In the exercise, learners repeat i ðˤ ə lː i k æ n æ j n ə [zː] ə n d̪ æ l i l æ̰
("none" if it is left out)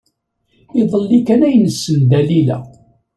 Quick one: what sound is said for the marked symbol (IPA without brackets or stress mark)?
sː